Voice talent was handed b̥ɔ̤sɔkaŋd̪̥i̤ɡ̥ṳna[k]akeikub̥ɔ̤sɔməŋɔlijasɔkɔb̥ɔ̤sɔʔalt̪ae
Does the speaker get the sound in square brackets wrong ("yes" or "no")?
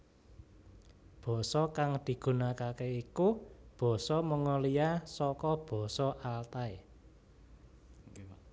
no